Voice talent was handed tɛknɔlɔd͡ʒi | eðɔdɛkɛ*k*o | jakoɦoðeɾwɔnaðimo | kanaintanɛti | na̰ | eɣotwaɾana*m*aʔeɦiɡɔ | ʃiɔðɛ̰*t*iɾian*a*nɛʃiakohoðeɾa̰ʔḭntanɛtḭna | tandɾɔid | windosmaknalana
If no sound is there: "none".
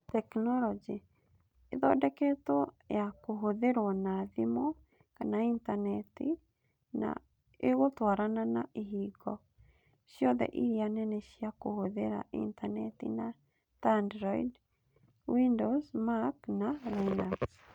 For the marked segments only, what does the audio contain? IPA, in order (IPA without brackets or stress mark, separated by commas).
t, n, ʔ, ɛ